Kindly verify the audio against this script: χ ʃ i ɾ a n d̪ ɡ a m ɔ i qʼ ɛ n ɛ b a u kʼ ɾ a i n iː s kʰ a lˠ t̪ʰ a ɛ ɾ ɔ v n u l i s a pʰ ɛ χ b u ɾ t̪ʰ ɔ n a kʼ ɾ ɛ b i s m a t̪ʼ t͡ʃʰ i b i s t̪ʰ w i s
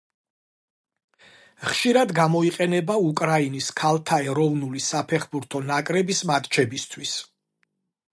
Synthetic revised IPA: χ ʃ i ɾ a d̪ ɡ a m ɔ i qʼ ɛ n ɛ b a u kʼ ɾ a i n i s kʰ a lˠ t̪ʰ a ɛ ɾ ɔ v n u l i s a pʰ ɛ χ b u ɾ t̪ʰ ɔ n a kʼ ɾ ɛ b i s m a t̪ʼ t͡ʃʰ ɛ b i s t̪ʰ w i s